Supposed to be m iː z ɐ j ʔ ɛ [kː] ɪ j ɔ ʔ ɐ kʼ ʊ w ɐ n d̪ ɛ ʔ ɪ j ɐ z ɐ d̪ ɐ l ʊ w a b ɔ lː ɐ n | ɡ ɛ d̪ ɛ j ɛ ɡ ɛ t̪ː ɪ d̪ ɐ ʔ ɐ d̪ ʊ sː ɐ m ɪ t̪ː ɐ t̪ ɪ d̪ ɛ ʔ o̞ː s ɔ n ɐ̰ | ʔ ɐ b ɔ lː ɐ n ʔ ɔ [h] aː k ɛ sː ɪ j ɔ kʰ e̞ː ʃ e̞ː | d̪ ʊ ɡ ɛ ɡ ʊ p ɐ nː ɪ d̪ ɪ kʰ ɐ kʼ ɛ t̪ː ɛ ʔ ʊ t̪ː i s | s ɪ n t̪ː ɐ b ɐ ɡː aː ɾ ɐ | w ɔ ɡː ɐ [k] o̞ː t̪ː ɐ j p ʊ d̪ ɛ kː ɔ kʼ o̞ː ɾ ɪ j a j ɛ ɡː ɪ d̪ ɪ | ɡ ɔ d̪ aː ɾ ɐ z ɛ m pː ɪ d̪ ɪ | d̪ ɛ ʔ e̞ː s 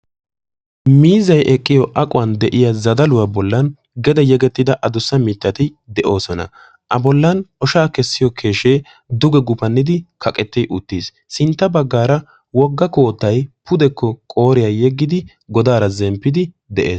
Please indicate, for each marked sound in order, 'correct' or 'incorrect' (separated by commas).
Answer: incorrect, incorrect, correct